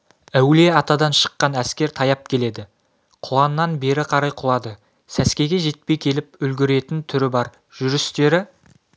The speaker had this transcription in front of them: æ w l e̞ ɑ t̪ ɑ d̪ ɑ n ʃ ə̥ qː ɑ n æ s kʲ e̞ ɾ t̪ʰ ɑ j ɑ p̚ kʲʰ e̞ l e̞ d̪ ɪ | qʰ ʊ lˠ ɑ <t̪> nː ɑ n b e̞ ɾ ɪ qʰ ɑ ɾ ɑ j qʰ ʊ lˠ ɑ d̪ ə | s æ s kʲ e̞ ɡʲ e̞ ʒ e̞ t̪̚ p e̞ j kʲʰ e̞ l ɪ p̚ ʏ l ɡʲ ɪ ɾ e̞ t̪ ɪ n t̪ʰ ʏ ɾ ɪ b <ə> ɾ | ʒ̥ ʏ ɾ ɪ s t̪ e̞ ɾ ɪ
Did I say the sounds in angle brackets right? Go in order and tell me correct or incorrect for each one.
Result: incorrect: none, incorrect: ɑ

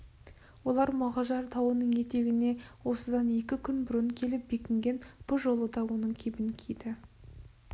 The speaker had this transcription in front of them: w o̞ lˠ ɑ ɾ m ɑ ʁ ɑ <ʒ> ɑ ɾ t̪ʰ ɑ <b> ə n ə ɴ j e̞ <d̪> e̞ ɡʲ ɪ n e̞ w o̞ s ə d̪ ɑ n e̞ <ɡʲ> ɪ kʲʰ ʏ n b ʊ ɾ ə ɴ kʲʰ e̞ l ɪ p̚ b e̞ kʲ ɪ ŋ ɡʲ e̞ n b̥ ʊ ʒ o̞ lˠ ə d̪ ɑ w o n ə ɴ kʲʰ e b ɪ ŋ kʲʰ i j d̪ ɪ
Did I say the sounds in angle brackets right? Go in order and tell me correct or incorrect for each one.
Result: correct, incorrect: w, incorrect: t̪, incorrect: kʲ

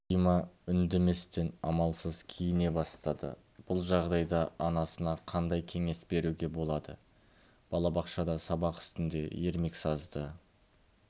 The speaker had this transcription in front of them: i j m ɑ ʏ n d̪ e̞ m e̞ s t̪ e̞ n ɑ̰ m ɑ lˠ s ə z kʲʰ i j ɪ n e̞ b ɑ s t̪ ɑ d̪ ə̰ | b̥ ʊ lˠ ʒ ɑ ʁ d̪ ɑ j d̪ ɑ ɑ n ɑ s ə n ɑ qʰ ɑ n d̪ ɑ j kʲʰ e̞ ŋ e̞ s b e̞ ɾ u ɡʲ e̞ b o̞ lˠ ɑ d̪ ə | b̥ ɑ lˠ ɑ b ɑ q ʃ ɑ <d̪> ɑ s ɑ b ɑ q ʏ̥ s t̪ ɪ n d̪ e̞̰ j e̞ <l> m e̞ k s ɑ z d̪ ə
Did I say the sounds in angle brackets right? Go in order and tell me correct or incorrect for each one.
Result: correct, incorrect: ɾ

